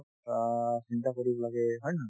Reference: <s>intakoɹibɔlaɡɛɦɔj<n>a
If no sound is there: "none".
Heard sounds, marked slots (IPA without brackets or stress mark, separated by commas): s, n